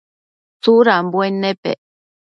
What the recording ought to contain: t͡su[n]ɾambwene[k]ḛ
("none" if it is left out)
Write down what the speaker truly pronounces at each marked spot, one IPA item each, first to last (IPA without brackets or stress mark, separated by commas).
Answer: none, p